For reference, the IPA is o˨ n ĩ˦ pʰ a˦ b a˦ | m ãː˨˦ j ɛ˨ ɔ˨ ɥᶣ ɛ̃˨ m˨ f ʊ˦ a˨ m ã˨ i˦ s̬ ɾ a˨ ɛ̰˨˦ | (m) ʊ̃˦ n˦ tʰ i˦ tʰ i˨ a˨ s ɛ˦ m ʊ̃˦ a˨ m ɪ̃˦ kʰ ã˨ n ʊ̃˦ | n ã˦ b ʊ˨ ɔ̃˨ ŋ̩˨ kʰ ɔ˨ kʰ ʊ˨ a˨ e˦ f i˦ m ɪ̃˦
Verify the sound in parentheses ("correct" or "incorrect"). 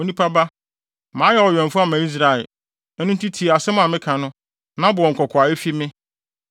incorrect